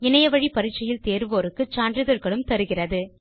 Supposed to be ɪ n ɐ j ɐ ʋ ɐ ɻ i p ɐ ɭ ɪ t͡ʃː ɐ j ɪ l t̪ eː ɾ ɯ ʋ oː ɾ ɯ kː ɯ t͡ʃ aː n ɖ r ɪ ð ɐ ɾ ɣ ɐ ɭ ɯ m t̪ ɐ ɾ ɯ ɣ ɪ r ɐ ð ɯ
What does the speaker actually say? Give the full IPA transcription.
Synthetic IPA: ɪ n ɐ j ɐ ʋ ɐ ɻ i p ɐ ɾ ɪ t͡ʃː ɐ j ɪ l t̪ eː ɾ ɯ ʋ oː ɾ ɯ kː ɯ t͡ʃ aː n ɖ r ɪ ð ɐ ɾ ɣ ɐ ɭ ɯ m t̪ ɐ ɾ ɯ ɣ ɪ r ɐ ð ɯ